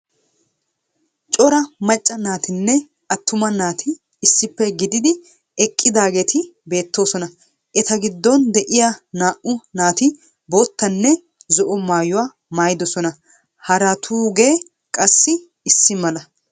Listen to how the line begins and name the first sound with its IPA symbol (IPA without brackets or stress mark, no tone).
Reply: t͡ʃʼ